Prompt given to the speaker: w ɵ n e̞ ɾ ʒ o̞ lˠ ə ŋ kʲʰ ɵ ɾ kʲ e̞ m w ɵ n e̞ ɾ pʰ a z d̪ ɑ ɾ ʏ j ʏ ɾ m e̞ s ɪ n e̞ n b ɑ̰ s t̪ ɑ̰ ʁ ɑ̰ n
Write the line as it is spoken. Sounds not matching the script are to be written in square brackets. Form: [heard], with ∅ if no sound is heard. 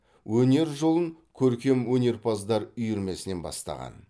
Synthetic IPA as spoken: w ɵ n e̞ ɾ ʒ o̞ lˠ ə ŋ kʲʰ ɵ ɾ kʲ e̞ m w ɵ n e̞ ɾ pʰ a z d̪ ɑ ɾ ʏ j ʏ ɾ m e̞ s ɪ n e̞ n b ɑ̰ s t̪ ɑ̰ ʁ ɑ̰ n